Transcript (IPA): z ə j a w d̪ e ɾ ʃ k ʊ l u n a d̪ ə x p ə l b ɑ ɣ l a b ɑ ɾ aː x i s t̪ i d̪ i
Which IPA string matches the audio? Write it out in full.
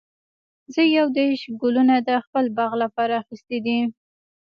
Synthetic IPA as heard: z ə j a w d̪ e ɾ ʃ ɡ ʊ l u n a d̪ ə x p ə l b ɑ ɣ l a p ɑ ɾ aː x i s t̪ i d̪ i